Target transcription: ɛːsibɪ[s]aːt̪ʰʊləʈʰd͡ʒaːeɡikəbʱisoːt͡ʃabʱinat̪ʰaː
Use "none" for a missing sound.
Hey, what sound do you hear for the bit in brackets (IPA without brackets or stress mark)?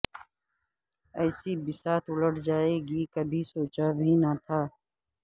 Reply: s